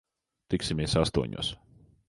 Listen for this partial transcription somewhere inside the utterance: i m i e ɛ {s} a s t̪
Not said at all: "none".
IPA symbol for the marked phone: s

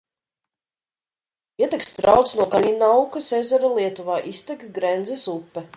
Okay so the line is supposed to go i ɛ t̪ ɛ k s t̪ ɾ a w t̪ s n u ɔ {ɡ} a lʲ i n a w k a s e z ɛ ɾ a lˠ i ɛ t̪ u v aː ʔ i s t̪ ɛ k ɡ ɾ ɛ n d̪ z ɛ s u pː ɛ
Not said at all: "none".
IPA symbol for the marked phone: k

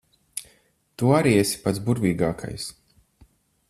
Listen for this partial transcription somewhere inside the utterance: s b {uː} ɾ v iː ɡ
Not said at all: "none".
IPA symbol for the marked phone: u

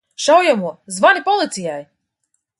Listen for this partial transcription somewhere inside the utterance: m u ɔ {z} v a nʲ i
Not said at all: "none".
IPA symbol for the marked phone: z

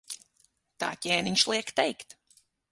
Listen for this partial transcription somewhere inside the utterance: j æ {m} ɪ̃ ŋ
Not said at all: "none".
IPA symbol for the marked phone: n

